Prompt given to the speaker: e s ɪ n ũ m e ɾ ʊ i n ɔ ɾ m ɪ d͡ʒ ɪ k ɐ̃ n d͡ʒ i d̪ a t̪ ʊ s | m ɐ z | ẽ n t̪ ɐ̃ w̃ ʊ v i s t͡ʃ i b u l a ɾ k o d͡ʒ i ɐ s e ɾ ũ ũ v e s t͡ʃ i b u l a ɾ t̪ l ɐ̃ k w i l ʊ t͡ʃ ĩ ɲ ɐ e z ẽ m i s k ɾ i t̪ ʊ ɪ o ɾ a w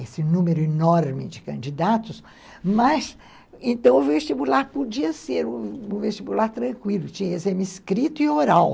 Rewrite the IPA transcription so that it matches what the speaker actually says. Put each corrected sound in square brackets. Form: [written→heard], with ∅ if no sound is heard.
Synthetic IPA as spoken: e s ɪ n ũ m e ɾ ʊ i n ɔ ɾ m ɪ d͡ʒ ɪ k ɐ̃ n d͡ʒ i d̪ a t̪ ʊ s | m ɐ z | ẽ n t̪ ɐ̃ w̃ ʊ v [i→e] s t͡ʃ i b u l a ɾ [k→p] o d͡ʒ i ɐ s e ɾ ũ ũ v e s t͡ʃ i b u l a ɾ t̪ [l→ɾ] ɐ̃ k w i l ʊ t͡ʃ ĩ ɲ ɐ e z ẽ m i s k ɾ i t̪ ʊ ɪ o ɾ a w

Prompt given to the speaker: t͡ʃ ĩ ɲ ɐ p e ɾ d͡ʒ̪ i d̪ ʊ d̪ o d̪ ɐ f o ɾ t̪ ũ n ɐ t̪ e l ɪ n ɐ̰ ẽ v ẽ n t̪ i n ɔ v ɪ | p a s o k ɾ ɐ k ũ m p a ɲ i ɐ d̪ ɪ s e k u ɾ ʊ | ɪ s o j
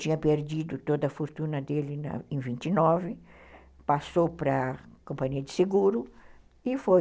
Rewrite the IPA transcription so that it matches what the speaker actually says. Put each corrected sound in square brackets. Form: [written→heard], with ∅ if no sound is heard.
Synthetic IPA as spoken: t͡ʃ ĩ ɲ ɐ p e ɾ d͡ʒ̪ i d̪ ʊ [d̪→t̪] o d̪ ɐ f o ɾ t̪ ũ n ɐ [t̪→d̪] e l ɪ n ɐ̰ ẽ v [ẽ→ĩ] n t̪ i n ɔ v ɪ | p a s o [k→p] ɾ ɐ k [ũ→õ] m p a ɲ i ɐ d̪ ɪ s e [k→ɡ] u ɾ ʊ | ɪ [s→f] o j

